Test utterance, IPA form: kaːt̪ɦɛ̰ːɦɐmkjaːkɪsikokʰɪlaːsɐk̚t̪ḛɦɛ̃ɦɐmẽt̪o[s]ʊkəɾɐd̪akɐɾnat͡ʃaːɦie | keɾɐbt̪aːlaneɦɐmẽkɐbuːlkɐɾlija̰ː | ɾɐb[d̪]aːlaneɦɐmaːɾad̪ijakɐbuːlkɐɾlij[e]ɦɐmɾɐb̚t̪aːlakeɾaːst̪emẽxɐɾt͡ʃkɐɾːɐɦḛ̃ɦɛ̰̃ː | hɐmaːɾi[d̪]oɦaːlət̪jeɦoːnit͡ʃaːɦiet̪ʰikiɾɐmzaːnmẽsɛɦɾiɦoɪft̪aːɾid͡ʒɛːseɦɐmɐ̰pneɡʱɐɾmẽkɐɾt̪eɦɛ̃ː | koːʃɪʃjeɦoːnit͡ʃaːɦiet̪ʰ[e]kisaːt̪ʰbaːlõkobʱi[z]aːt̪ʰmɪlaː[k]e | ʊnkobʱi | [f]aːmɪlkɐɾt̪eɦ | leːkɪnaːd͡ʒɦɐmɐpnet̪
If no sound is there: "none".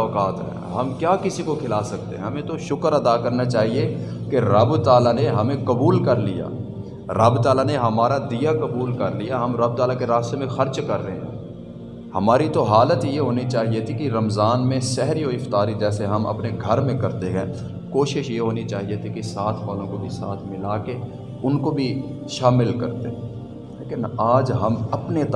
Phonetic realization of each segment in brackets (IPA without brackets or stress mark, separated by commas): ʃ, t̪, a, t̪, i, s, k, ʃ